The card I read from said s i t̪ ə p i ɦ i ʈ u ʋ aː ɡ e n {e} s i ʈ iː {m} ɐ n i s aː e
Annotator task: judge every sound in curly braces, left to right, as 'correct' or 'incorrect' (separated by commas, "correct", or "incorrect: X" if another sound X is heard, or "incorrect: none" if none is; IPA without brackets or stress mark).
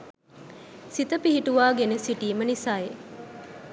correct, correct